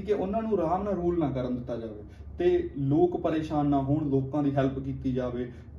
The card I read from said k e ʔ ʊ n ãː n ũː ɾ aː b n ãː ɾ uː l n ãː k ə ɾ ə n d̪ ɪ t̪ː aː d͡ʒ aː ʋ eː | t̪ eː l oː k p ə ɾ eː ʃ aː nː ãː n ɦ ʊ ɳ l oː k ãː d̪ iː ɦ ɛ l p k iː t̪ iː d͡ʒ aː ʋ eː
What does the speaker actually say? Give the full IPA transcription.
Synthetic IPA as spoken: k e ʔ ʊ n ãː n ũː ɾ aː m n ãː ɾ uː l n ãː k ə ɾ ə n d̪ ɪ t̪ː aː d͡ʒ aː ʋ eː | t̪ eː l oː k p ə ɾ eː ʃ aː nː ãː ɦ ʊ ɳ l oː k ãː d̪ iː ɦ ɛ l p k iː t̪ iː d͡ʒ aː ʋ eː